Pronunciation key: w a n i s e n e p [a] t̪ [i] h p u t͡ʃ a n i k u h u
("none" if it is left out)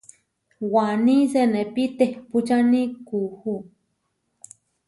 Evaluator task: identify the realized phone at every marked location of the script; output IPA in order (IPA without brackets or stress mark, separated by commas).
i, e